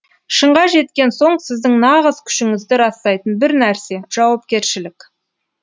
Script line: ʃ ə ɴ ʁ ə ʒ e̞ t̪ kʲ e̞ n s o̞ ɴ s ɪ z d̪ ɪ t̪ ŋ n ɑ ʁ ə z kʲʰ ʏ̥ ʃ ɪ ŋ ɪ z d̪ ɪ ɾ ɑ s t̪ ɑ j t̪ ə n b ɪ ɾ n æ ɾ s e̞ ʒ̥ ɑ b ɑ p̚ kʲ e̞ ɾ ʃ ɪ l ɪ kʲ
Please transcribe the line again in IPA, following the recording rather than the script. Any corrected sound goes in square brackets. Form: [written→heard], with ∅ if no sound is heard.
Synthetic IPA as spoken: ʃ ə ɴ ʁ [ə→ɑ] ʒ e̞ t̪ kʲ e̞ n s o̞ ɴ s ɪ z d̪ ɪ [t̪→∅] ŋ n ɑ ʁ ə z kʲʰ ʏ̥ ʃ ɪ ŋ ɪ z d̪ ɪ ɾ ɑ s t̪ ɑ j t̪ ə n b ɪ ɾ n æ ɾ s e̞ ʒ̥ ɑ [b→w] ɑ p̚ kʲ e̞ ɾ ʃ ɪ l ɪ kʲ